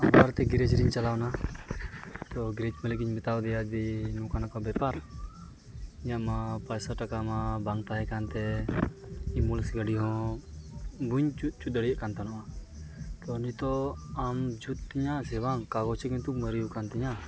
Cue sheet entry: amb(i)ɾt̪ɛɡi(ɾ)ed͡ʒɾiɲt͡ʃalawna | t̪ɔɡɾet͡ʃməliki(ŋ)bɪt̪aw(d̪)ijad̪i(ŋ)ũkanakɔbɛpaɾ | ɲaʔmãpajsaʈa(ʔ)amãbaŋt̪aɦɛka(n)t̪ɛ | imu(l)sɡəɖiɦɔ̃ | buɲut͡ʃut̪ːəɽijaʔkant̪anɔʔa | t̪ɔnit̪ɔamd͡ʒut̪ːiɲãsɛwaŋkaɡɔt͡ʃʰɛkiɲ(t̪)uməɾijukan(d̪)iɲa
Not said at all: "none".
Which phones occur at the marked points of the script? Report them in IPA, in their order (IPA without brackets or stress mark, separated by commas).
a, ɾ, ɲ, d̪, n, k, n, l, t̪, t̪